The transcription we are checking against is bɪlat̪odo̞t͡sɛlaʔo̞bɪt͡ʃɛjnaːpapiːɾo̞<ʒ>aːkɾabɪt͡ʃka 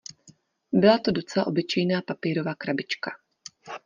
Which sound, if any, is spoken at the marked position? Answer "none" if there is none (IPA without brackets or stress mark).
v